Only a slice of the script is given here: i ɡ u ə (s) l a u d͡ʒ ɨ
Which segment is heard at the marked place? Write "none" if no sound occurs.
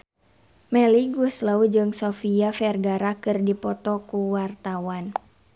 s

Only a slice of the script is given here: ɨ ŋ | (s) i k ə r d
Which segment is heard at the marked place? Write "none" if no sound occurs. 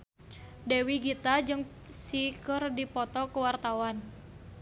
s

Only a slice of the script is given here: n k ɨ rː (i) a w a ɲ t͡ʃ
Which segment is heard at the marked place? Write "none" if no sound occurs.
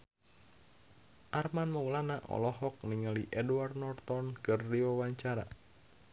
i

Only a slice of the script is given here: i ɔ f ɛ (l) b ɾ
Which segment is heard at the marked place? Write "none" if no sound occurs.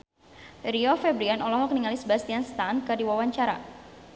none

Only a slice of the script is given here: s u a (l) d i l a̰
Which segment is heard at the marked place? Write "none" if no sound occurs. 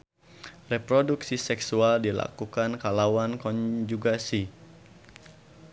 l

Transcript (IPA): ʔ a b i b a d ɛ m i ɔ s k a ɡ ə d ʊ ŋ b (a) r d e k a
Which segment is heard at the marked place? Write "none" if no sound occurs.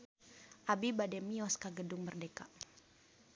ə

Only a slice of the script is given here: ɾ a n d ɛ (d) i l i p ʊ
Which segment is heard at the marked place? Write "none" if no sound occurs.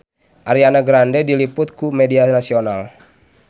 d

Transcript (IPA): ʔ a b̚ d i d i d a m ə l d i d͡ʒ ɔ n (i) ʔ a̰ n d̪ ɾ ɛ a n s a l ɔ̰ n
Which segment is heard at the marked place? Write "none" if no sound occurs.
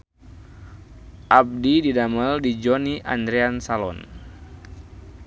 i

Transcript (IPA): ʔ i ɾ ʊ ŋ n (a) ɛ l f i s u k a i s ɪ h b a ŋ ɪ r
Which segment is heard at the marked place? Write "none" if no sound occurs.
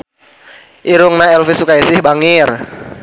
a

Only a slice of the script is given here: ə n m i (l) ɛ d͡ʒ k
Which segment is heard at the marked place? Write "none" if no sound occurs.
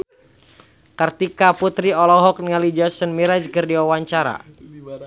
ɾ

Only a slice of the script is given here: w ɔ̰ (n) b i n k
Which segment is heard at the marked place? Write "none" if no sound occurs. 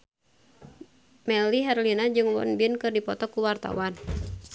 n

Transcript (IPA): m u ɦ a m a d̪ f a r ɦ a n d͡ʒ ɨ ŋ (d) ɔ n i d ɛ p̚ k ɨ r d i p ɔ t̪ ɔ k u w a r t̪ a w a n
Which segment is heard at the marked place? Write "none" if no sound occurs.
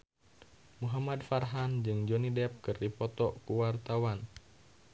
d͡ʒ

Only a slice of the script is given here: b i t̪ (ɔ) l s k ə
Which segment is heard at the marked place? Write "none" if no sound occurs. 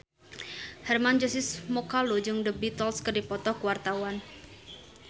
ɔ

